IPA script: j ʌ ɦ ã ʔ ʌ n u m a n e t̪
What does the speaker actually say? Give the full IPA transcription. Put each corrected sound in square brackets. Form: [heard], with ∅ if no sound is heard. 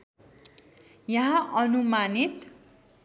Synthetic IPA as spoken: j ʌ ɦ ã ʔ ʌ n u m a n [i] t̪